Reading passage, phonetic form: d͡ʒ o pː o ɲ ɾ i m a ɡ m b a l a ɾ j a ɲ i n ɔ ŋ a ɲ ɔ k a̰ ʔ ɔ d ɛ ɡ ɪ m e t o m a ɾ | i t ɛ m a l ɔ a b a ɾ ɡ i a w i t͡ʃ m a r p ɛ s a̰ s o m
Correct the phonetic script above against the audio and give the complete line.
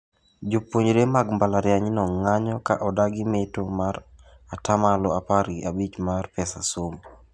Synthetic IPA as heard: d͡ʒ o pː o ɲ ɾ e m a ɡ m b a l a ɾ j a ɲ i n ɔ ŋ a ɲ ɔ k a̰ ʔ ɔ d a ɡ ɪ m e t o m a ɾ | a t a m a l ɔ a p a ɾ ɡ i a b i t͡ʃ m a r p ɛ s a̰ s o m